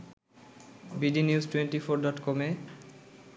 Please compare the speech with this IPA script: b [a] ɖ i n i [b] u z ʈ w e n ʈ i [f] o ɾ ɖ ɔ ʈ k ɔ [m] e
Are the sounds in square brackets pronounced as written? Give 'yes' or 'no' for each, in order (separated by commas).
no, no, yes, yes